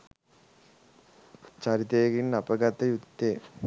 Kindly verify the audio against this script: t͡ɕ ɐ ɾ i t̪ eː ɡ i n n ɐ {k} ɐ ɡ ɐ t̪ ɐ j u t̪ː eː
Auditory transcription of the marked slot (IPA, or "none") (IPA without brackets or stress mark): p